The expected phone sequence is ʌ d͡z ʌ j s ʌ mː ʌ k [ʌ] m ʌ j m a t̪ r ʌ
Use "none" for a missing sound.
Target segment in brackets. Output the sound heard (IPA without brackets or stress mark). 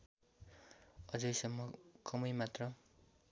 ʌ